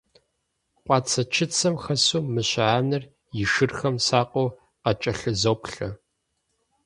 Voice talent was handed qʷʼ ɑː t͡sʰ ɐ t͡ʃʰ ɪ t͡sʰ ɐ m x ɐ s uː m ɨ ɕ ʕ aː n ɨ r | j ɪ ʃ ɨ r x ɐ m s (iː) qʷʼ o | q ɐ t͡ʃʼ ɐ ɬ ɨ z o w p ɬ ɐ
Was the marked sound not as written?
yes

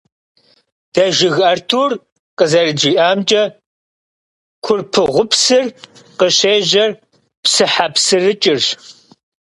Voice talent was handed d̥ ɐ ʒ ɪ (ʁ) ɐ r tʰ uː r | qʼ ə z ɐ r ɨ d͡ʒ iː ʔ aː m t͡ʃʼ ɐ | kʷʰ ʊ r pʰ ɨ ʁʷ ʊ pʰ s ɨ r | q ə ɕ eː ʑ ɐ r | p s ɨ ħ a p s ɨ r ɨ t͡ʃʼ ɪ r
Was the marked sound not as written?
yes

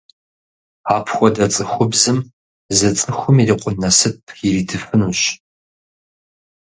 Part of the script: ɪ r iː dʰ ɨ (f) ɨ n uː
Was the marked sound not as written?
no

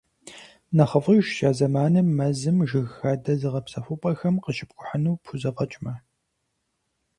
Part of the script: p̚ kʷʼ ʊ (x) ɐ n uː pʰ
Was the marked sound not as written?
yes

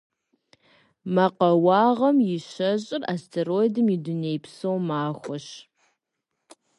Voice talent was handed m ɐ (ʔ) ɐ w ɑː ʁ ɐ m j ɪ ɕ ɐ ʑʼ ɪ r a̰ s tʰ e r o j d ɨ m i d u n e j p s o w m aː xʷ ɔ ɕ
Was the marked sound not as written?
yes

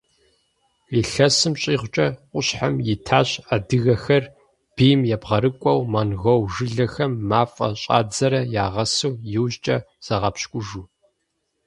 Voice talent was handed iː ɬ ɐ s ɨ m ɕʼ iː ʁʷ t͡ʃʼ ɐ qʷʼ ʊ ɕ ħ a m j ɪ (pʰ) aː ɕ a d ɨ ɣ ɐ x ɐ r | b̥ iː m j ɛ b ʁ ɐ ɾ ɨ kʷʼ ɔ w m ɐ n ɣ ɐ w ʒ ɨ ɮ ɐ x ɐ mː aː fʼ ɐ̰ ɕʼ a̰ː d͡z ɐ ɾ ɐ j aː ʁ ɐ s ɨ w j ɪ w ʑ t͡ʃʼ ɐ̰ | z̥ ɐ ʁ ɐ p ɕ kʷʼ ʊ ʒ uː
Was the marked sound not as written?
yes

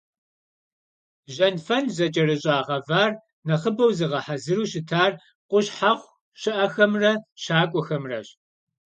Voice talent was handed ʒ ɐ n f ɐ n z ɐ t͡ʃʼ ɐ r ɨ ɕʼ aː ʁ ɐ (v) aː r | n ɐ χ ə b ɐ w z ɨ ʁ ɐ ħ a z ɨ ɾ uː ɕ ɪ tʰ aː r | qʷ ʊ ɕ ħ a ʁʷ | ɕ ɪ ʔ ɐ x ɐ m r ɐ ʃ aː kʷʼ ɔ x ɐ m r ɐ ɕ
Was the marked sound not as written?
no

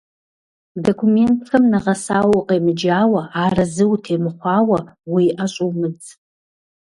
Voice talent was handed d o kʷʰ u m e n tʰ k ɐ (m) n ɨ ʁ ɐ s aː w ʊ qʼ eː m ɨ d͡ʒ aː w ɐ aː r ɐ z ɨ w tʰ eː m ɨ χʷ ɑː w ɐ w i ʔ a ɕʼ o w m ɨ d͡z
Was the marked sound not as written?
no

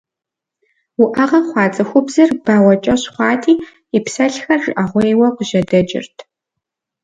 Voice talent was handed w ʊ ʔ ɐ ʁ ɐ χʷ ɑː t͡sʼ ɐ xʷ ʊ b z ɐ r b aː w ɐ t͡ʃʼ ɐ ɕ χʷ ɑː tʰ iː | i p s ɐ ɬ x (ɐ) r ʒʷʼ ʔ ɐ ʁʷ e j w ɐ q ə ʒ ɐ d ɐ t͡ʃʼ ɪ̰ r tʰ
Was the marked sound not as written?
no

